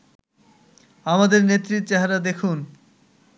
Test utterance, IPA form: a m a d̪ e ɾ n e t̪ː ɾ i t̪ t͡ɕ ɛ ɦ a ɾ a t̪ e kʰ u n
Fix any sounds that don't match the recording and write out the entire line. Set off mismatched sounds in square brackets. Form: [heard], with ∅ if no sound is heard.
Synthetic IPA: a m a d̪ e ɾ n e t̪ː ɾ i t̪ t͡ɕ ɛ ɦ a ɾ a [d̪] e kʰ u n